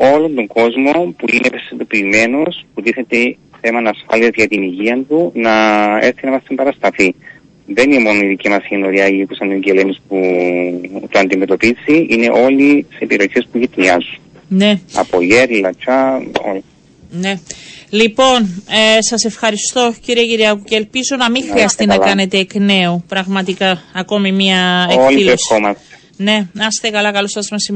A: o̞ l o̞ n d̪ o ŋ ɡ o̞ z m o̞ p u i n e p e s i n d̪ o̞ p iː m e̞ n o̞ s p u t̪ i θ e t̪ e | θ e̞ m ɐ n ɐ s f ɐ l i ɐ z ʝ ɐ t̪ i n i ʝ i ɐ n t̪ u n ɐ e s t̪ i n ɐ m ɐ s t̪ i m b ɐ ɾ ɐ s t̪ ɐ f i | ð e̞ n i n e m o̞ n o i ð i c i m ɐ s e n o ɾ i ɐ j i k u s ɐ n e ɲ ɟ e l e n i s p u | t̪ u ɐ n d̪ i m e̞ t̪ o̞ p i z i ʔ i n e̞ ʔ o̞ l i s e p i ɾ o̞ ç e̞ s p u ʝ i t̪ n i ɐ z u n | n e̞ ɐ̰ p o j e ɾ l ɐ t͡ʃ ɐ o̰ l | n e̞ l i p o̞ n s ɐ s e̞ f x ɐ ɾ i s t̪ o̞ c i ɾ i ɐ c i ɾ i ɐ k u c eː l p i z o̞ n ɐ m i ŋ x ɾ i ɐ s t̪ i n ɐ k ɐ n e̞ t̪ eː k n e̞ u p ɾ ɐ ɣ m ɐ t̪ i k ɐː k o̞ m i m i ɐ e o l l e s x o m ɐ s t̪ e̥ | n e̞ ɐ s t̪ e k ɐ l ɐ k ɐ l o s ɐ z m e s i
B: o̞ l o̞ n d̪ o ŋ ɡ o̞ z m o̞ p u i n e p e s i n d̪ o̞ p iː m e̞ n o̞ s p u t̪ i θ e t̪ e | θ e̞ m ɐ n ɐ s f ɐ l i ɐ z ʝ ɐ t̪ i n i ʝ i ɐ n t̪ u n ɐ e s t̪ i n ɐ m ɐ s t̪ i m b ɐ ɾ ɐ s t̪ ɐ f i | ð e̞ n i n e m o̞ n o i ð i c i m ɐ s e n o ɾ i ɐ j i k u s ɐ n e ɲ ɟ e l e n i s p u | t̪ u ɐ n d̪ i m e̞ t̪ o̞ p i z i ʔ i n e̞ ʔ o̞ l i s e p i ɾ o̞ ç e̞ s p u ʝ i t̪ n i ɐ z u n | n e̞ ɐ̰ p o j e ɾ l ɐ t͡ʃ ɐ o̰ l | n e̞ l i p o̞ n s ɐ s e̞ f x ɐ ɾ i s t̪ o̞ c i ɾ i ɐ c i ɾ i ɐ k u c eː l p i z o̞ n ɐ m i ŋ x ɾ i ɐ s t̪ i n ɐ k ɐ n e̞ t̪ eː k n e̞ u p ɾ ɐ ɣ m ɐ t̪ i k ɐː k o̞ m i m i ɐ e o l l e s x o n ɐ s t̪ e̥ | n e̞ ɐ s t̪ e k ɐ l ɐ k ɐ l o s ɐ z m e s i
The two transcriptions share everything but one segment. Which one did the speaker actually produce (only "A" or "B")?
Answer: A